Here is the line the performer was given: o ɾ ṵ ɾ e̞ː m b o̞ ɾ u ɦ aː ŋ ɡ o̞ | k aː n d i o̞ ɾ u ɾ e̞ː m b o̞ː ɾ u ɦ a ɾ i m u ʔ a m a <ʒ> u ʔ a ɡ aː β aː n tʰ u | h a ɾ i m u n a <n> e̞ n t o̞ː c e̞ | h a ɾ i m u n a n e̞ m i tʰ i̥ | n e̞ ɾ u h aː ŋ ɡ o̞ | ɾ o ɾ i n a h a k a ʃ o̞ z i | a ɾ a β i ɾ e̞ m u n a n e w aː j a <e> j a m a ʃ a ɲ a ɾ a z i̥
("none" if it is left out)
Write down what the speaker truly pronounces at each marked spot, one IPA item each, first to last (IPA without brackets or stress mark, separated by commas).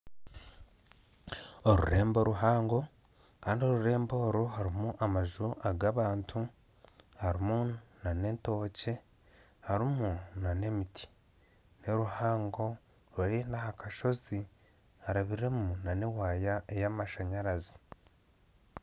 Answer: ʒ, n, e